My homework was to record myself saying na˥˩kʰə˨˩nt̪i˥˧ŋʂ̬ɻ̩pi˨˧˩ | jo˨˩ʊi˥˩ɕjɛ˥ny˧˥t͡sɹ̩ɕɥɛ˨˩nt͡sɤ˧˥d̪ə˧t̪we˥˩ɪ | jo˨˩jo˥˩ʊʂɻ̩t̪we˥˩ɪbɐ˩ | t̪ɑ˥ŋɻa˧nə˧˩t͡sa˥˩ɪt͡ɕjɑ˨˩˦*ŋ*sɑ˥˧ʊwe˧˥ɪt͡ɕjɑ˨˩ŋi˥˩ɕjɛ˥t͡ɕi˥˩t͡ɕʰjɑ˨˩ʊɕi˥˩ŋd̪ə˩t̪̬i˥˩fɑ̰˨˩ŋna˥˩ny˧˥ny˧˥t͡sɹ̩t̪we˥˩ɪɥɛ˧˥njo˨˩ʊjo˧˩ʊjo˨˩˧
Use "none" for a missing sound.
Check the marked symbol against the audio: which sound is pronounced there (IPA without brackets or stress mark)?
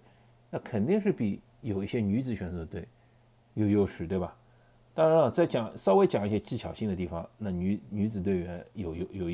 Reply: ŋ